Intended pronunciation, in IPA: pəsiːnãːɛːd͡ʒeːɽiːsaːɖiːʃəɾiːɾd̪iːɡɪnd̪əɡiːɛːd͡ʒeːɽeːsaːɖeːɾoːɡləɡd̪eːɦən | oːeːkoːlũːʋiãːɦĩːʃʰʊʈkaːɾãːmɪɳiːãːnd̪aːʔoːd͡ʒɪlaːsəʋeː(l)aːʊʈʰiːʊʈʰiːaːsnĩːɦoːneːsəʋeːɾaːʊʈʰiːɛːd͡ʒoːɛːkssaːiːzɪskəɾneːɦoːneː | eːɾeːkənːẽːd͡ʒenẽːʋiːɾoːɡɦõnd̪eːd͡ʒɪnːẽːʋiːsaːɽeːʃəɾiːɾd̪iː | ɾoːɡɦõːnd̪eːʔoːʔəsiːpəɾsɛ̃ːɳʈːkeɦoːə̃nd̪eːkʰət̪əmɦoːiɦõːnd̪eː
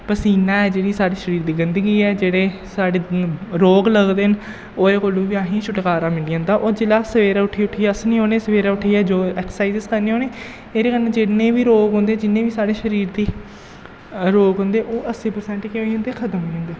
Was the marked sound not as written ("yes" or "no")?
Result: yes